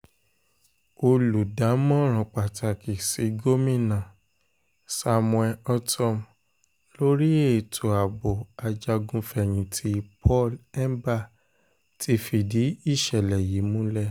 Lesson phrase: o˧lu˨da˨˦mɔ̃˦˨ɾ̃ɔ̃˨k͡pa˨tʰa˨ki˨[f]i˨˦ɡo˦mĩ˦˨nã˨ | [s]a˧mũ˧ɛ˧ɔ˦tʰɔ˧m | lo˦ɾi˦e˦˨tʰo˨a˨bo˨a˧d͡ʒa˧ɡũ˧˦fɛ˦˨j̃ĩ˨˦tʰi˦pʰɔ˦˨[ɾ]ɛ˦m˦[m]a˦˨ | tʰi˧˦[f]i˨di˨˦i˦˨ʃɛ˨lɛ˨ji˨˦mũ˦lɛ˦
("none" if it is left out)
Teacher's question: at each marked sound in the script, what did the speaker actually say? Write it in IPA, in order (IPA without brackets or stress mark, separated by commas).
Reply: s, s, l, b, f